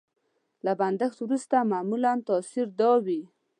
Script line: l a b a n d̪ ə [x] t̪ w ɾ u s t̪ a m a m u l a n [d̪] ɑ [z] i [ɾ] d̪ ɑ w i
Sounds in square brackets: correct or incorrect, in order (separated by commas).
correct, incorrect, incorrect, correct